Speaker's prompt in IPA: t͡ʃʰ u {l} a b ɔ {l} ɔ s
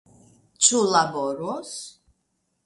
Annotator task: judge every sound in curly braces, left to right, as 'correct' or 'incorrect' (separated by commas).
correct, incorrect